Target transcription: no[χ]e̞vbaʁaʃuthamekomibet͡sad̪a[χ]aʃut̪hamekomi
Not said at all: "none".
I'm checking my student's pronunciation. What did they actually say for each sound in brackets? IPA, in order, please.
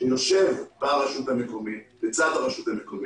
ʃ, ʁ

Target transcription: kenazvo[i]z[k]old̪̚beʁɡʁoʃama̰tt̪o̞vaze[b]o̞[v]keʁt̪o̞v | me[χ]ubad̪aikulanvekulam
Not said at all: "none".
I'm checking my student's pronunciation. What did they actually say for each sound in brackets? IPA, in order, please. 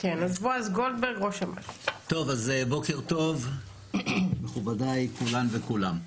a, ɡ, b, none, χ

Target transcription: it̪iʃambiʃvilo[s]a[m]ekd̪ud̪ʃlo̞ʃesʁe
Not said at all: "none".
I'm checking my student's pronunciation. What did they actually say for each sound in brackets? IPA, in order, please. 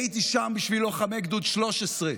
χ, m

